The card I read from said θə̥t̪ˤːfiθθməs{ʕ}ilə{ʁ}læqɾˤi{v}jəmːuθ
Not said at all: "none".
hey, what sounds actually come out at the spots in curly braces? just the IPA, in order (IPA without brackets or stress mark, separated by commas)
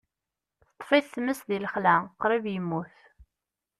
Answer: ð, χ, v